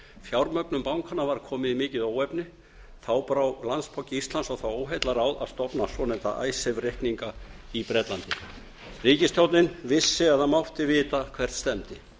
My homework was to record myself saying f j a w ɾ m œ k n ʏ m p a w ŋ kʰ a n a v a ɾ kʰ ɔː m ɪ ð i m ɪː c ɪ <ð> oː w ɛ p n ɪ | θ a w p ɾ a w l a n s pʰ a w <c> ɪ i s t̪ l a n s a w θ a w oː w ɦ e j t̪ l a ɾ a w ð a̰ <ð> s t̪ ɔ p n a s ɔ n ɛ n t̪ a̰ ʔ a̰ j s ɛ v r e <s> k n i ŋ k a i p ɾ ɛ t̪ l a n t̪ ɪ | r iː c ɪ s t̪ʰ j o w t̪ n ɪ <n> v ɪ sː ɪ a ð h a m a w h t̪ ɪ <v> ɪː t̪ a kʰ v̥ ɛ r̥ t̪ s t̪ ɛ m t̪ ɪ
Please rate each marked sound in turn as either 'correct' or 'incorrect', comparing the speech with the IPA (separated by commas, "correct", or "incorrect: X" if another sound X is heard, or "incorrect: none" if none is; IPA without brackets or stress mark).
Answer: correct, correct, correct, incorrect: h, correct, correct